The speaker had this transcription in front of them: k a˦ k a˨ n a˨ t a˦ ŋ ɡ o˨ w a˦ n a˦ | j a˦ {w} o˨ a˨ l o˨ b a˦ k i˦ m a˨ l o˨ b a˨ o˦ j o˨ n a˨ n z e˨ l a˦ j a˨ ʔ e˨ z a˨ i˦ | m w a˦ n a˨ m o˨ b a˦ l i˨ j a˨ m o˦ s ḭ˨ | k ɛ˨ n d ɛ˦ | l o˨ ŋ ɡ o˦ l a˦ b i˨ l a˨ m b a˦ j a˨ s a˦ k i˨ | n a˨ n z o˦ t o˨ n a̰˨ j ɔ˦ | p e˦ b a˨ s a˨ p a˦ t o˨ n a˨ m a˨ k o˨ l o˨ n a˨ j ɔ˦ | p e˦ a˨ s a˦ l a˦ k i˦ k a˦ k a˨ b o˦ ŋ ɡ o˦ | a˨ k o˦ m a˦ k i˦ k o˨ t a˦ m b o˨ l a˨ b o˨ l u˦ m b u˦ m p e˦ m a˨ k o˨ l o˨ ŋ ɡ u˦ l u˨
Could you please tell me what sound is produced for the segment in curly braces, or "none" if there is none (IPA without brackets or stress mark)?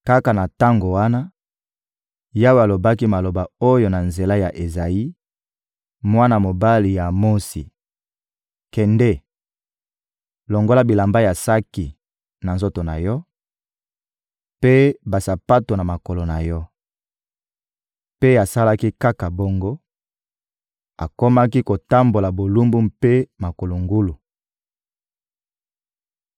w